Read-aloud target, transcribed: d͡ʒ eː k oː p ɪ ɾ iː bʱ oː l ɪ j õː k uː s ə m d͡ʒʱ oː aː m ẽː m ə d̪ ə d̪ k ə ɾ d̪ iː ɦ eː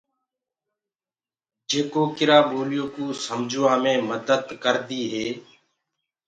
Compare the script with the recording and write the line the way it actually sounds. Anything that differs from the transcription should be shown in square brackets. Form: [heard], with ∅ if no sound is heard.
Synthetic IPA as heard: d͡ʒ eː k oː [k] ɪ ɾ [aː] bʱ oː l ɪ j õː k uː s ə m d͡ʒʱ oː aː m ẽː m ə d̪ ə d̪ k ə ɾ d̪ iː ɦ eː

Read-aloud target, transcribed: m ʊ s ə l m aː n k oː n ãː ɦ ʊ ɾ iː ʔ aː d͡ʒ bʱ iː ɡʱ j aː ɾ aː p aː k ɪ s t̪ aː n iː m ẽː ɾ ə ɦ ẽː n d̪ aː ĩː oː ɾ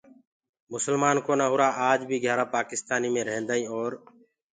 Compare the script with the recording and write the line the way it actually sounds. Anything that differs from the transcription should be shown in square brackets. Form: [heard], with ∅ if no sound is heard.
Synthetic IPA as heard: m ʊ s ə l m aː n k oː n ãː ɦ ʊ ɾ [aː] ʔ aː d͡ʒ bʱ iː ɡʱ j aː ɾ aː p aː k ɪ s t̪ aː n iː m ẽː ɾ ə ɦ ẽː n d̪ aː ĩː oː ɾ

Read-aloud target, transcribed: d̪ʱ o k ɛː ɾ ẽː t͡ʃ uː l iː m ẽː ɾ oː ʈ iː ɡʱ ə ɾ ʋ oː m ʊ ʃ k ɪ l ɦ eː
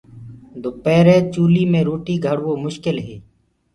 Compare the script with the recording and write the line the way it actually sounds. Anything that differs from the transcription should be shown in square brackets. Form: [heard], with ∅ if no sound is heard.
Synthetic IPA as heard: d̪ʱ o [p] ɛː ɾ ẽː t͡ʃ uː l iː m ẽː ɾ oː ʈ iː ɡʱ ə [ɽ] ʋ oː m ʊ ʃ k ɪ l ɦ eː

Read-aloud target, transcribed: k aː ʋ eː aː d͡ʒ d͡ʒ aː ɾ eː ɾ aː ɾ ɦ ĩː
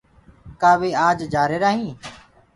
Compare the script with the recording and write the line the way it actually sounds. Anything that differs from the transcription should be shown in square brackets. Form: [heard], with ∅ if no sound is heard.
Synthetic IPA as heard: k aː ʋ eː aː d͡ʒ d͡ʒ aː ɾ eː ɾ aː [∅] ɦ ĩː

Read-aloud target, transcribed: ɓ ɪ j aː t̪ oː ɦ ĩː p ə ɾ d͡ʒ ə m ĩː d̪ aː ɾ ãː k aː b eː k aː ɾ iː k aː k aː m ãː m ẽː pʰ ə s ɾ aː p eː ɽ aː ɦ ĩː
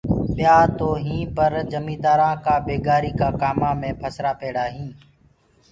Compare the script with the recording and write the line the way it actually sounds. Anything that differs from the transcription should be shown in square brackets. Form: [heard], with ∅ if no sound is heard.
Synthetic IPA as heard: ɓ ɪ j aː t̪ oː ɦ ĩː p ə ɾ d͡ʒ ə m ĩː d̪ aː ɾ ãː k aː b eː [ɡ] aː ɾ iː k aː k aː m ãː m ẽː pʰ ə s ɾ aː p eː ɽ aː ɦ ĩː

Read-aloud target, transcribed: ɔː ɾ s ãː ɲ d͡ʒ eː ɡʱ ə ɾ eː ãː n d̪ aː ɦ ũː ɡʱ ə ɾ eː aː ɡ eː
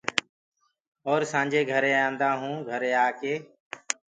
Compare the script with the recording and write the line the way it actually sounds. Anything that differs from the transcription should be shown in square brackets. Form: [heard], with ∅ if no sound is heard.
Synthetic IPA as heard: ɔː ɾ s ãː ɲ d͡ʒ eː ɡʱ ə ɾ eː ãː n d̪ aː ɦ ũː ɡʱ ə ɾ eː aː [k] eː

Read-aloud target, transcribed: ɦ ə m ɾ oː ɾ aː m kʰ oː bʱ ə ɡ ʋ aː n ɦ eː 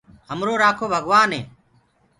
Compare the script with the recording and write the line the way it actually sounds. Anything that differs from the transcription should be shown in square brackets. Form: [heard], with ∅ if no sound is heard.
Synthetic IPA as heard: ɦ ə m ɾ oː ɾ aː [∅] kʰ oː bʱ ə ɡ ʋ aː n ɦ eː

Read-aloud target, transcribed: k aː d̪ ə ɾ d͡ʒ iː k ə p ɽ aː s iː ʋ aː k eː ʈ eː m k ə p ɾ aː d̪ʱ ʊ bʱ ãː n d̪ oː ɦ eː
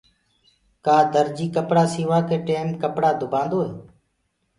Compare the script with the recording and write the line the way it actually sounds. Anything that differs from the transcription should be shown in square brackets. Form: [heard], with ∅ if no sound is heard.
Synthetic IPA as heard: k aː d̪ ə ɾ d͡ʒ iː k ə p ɽ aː s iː ʋ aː k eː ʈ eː m k ə p [ɽ] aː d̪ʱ ʊ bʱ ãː n d̪ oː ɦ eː

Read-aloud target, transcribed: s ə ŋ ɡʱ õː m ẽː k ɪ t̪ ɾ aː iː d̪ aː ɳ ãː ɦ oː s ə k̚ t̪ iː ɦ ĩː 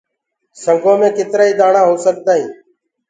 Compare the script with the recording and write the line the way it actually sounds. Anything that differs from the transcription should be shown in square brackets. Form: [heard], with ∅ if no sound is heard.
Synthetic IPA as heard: s ə ŋ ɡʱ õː m ẽː k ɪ t̪ ɾ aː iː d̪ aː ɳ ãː ɦ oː s ə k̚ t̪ [aː] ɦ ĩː

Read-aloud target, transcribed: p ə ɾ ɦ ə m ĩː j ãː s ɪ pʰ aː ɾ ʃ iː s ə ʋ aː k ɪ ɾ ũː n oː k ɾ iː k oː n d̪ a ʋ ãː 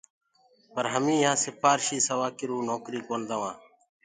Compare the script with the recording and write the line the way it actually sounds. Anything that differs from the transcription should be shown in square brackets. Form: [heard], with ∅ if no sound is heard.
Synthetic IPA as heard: p ə ɾ ɦ ə m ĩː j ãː s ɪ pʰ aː ɾ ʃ iː s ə ʋ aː k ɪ ɾ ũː n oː k ɾ iː k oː n d̪ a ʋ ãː

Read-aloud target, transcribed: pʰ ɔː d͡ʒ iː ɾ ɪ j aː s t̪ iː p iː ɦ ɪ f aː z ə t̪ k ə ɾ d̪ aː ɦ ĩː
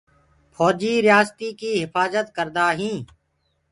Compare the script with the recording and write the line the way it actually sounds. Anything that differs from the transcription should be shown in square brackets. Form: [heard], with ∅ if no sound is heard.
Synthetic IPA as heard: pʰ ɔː d͡ʒ iː ɾ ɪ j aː s t̪ iː [k] iː ɦ ɪ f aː z ə t̪ k ə ɾ d̪ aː ɦ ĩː

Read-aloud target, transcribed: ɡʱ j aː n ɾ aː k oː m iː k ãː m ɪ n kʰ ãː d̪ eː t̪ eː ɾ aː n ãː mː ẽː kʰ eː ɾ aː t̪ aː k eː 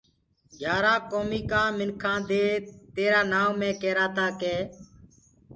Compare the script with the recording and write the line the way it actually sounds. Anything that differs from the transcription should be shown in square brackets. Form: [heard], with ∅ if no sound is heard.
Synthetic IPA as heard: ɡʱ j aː [∅] ɾ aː k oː m iː k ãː m ɪ n kʰ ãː d̪ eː t̪ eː ɾ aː n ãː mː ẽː [k] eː ɾ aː t̪ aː k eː

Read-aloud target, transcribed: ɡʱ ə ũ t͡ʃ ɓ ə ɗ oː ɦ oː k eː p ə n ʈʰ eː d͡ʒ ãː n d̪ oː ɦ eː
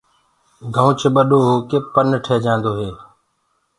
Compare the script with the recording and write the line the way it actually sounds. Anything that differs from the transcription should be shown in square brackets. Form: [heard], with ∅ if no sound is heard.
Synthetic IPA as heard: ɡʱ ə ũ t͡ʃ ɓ ə ɗ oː ɦ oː k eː p ə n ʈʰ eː d͡ʒ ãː n d̪ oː ɦ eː

